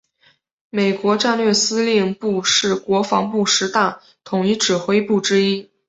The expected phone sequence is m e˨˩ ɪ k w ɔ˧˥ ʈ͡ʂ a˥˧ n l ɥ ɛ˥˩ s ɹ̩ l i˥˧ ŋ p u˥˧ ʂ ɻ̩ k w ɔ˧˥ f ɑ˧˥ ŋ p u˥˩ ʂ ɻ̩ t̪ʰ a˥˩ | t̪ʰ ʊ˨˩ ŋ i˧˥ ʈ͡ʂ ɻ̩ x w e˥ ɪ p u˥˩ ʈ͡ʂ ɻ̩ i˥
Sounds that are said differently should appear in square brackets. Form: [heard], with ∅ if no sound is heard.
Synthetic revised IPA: m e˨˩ ɪ k w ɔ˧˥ ʈ͡ʂ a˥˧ n l ɥ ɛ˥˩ s ɹ̩ l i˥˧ ŋ p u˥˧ ʂ ɻ̩ k w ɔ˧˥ f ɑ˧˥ ŋ p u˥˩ ʂ ɻ̩ [t̪] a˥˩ | t̪ʰ ʊ˨˩ ŋ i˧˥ ʈ͡ʂ ɻ̩ x w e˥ ɪ p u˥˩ ʈ͡ʂ ɻ̩ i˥